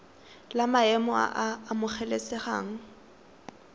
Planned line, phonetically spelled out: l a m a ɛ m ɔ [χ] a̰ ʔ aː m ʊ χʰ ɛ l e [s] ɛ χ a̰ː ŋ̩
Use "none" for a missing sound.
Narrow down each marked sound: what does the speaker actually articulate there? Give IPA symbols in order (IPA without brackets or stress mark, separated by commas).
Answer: none, s